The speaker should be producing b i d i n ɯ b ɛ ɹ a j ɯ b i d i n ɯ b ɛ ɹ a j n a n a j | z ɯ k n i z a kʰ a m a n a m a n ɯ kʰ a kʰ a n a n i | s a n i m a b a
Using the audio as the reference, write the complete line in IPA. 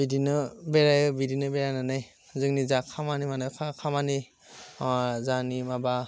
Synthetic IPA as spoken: b i d i n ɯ b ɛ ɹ a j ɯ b i d i n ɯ b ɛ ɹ a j n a n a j | z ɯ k n i z a kʰ a m a n i m a n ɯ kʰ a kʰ a m a n i | z a n i m a b a